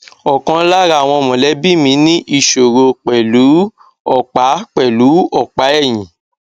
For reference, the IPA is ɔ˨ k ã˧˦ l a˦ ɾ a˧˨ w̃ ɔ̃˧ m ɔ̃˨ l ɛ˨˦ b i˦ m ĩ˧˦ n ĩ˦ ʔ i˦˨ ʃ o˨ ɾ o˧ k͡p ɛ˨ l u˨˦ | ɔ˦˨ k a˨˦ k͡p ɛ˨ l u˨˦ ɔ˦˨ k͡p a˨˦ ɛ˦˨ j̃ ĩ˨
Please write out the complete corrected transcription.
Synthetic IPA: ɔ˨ k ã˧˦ l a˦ ɾ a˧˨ w̃ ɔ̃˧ m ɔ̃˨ l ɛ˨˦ b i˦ m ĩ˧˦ n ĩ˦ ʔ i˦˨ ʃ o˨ ɾ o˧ k͡p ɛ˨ l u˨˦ | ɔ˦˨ k͡p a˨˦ k͡p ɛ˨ l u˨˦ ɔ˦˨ k͡p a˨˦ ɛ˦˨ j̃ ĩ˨